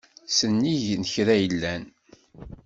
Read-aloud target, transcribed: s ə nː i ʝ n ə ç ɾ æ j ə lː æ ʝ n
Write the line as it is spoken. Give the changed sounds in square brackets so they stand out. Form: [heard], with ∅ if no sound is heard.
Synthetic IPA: s ə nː i ʝ n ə ç ɾ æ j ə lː æ [∅] n